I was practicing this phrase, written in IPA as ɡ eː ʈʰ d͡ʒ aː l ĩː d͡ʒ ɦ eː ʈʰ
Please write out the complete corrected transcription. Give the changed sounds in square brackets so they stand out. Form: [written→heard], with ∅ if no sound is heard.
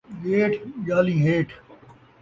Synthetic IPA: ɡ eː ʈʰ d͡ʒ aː l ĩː [d͡ʒ→∅] ɦ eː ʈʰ